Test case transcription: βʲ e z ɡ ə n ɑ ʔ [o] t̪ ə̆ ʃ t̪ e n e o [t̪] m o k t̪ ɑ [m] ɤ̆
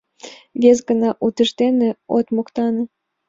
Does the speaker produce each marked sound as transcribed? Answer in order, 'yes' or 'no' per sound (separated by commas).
no, yes, no